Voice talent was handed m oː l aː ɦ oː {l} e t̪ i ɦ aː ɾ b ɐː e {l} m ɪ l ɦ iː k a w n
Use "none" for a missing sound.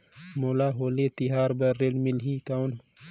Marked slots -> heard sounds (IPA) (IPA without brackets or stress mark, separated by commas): l, l